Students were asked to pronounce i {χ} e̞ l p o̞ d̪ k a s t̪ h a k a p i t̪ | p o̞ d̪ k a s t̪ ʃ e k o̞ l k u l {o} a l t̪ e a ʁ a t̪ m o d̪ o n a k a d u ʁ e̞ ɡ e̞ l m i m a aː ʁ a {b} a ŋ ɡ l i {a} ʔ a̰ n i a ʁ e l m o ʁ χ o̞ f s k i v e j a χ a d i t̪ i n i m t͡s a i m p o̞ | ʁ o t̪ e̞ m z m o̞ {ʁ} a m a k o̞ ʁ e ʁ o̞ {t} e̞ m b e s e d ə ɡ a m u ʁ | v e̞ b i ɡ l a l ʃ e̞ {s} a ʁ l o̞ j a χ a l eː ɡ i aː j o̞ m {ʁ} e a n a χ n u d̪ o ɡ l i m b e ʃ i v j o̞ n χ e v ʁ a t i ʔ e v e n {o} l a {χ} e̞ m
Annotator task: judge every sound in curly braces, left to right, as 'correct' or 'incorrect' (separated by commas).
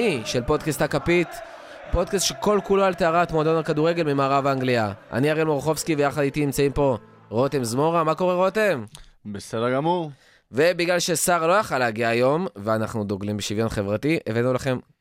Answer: incorrect, correct, incorrect, correct, correct, correct, correct, incorrect, incorrect, correct